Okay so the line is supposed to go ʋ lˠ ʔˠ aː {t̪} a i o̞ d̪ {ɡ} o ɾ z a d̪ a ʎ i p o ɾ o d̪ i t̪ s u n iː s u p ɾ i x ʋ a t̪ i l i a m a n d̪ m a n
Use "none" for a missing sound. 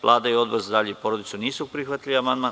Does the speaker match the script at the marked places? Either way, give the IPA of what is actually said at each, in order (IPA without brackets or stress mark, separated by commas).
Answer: d̪, b